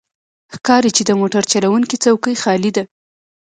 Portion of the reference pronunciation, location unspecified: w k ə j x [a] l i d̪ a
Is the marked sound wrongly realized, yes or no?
yes